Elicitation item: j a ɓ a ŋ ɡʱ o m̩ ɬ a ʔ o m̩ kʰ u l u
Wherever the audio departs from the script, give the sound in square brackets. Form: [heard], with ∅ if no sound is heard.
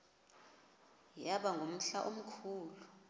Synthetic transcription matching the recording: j a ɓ a ŋ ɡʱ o m̩ ɬ a ʔ o m̩ kʰ [uː] l u